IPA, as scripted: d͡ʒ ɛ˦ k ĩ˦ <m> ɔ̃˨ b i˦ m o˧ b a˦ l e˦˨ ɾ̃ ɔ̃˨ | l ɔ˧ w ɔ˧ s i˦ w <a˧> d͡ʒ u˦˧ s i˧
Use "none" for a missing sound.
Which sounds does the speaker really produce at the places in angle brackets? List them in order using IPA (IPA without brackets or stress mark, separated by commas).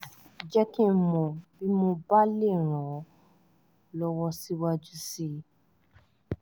m, a˧